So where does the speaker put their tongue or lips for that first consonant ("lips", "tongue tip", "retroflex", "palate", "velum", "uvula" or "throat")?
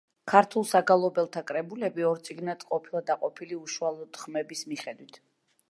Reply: velum